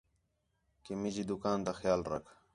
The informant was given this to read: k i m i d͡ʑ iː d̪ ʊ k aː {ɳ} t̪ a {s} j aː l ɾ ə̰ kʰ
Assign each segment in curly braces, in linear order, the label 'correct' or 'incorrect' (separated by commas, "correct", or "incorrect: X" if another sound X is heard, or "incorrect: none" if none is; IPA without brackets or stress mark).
incorrect: n, incorrect: x